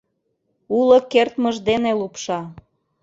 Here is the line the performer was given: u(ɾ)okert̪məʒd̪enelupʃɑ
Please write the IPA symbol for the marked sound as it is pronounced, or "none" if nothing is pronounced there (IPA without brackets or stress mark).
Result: l